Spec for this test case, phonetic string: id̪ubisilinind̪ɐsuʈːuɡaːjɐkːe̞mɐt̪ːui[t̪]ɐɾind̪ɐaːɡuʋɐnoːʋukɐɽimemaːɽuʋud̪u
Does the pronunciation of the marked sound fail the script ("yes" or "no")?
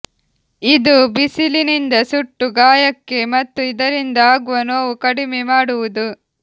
yes